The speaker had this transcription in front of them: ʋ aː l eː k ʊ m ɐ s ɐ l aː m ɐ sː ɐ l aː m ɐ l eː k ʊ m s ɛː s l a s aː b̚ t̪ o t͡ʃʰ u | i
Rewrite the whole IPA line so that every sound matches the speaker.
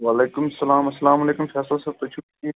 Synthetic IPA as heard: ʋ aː l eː k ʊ m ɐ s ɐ l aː m ɐ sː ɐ l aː m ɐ l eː k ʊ m f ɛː s l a s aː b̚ t̪ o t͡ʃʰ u | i